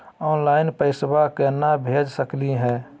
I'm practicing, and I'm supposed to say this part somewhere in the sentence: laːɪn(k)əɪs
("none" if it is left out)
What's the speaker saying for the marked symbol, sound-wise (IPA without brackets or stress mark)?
p